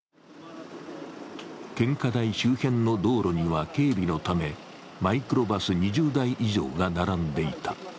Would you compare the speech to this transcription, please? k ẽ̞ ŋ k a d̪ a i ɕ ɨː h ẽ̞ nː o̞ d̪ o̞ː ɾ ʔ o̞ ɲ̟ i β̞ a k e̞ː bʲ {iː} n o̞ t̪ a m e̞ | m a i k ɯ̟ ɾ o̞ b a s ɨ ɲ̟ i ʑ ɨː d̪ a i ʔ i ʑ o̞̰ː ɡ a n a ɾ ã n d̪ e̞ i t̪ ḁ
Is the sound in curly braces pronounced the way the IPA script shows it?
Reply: no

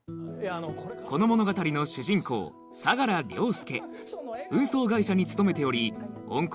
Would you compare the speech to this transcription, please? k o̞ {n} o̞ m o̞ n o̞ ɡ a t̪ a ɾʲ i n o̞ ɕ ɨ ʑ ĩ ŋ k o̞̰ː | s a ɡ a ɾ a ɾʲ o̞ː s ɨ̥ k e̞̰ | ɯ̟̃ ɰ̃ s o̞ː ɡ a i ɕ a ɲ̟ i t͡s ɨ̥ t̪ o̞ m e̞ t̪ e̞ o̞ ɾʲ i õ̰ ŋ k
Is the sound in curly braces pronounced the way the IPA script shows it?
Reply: yes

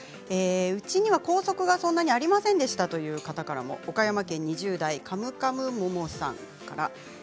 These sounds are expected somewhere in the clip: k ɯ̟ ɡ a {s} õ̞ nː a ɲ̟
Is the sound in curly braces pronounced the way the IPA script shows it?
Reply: yes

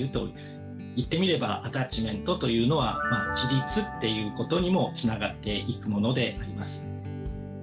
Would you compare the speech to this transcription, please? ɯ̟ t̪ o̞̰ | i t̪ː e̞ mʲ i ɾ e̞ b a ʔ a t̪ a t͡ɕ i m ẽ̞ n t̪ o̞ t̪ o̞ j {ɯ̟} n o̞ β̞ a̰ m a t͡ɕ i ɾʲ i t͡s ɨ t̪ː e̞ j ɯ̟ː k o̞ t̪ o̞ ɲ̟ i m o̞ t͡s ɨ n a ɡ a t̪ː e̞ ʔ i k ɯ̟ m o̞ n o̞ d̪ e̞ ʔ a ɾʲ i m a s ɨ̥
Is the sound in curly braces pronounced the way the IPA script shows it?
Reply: no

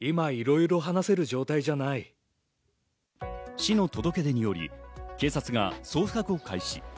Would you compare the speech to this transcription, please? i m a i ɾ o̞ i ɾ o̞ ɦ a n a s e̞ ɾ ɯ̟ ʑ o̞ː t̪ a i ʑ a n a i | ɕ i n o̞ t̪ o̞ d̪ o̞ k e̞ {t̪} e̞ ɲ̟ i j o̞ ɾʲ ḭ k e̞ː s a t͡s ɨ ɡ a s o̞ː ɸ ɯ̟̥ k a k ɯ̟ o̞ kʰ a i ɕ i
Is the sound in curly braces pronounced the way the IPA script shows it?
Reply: no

